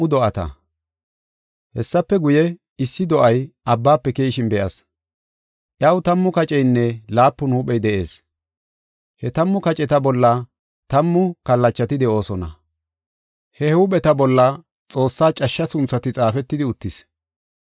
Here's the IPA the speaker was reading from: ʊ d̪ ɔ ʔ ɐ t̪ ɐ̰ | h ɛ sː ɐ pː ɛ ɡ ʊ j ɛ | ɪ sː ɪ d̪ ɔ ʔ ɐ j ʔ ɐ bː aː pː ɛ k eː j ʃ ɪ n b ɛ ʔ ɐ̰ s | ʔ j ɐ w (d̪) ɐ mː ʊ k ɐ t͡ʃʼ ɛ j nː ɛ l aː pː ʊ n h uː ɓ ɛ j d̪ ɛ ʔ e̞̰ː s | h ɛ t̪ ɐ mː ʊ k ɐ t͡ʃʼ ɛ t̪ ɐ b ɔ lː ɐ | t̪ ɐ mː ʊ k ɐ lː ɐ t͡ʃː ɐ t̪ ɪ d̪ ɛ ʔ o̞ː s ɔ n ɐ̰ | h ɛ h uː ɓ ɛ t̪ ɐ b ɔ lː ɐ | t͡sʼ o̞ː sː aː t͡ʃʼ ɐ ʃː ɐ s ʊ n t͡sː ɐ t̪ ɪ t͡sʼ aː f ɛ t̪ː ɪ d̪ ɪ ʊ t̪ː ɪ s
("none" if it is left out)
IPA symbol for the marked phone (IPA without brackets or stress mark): t̪